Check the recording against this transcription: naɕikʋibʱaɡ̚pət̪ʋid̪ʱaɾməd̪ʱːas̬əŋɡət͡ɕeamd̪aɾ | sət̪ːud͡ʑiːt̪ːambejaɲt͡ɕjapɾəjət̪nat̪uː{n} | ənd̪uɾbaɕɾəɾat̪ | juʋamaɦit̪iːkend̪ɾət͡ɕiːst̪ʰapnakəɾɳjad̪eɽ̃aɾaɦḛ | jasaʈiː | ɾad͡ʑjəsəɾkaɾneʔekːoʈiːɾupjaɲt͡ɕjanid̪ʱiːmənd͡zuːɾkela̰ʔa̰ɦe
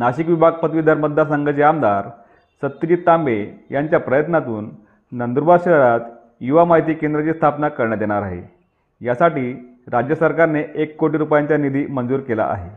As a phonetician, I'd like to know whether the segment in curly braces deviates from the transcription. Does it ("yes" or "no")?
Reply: yes